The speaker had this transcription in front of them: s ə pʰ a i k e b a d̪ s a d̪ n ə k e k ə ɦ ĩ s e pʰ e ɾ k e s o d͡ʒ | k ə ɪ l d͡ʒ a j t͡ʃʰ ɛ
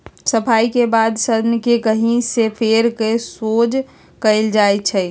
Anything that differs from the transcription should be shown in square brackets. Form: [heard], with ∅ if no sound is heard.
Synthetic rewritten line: s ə pʰ a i k e b a d̪ s [ə] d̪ n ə k e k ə ɦ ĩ s e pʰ e ɾ k e s o d͡ʒ | k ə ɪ l d͡ʒ a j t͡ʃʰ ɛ